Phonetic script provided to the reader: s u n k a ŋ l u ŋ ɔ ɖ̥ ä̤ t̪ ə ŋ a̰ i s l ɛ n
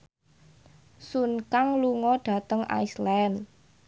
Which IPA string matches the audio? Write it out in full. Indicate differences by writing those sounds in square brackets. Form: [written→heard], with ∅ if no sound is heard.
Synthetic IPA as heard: s u n k a ŋ l u ŋ ɔ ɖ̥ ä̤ t̪ ə ŋ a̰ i s l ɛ n